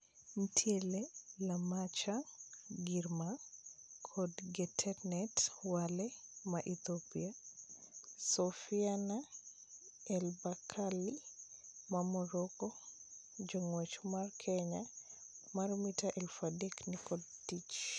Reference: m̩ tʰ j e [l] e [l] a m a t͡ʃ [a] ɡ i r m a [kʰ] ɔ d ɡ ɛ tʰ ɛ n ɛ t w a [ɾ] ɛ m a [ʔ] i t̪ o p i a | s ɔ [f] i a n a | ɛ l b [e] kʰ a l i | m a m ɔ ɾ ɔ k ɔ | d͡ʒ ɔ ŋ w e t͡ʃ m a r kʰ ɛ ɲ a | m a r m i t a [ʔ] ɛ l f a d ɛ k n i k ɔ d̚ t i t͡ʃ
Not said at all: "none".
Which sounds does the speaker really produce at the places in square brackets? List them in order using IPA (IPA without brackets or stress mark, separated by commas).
l, l, a, kʰ, l, ʔ, f, a, ʔ